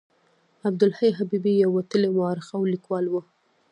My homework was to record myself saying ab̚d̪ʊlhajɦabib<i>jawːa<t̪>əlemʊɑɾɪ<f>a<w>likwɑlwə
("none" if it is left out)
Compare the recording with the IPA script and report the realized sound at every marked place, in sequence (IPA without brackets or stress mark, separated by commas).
i, t̪, x, w